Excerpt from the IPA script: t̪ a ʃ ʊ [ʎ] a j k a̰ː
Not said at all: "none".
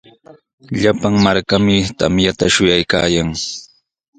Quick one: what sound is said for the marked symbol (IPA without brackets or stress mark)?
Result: j